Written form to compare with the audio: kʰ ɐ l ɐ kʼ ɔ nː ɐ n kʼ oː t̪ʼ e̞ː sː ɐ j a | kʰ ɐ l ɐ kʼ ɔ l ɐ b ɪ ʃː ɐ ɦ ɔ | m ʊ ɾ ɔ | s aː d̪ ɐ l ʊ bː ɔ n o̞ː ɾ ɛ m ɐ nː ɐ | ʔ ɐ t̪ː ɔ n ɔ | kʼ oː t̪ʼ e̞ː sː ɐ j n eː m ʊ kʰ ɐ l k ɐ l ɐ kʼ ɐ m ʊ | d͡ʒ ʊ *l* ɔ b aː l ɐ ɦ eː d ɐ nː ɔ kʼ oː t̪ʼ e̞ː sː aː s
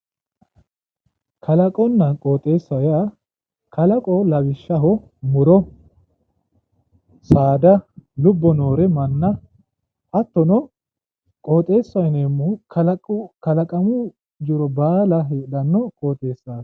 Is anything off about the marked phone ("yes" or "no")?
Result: yes